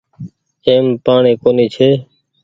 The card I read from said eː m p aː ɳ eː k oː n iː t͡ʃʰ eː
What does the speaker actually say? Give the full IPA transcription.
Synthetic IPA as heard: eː m p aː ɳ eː k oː n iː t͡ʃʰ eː